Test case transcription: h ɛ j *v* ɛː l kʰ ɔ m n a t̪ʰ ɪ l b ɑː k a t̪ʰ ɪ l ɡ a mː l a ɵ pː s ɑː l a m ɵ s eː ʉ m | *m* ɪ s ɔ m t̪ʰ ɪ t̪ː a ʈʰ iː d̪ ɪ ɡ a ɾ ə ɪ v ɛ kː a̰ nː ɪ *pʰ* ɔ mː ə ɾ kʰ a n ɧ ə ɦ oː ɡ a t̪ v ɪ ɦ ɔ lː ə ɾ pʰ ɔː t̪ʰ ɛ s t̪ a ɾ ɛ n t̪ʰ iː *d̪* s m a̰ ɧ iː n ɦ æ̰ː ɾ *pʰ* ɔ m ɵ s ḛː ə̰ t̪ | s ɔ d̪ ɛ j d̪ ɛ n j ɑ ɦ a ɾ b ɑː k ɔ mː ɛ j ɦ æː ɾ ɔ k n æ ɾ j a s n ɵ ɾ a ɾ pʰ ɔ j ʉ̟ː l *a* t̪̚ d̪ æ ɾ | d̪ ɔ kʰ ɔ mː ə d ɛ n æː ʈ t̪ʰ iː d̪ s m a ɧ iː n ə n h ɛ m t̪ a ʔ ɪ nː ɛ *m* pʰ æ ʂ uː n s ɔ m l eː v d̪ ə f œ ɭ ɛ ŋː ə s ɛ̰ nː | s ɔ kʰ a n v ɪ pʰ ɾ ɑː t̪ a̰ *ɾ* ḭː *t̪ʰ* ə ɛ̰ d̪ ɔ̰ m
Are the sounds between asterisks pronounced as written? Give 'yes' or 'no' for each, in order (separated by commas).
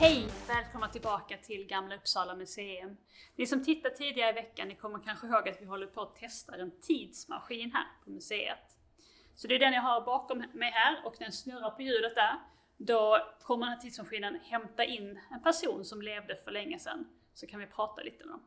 yes, no, no, yes, yes, no, no, no, no